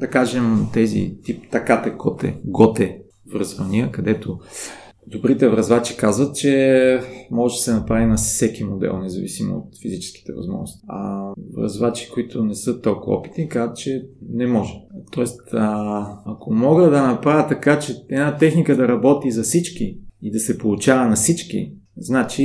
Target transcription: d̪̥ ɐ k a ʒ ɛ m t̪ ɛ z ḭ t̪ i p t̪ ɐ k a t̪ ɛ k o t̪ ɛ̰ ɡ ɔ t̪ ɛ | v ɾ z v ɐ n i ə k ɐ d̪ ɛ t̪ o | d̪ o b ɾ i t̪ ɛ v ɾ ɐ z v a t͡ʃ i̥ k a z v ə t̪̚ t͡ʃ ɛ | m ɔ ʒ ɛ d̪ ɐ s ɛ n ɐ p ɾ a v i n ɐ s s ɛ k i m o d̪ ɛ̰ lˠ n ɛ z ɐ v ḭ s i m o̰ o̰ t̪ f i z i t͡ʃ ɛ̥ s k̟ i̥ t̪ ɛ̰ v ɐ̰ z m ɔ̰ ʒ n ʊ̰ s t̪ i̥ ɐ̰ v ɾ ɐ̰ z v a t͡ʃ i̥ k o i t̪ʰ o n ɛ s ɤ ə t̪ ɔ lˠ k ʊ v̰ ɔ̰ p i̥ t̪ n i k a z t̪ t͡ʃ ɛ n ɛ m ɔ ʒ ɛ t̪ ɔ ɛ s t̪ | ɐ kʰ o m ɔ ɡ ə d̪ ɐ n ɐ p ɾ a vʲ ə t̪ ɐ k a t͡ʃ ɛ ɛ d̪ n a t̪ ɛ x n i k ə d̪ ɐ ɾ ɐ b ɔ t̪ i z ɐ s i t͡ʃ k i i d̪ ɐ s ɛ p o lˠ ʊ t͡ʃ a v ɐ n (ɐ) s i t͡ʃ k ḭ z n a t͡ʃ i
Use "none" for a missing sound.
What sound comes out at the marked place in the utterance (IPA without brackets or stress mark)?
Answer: ɐ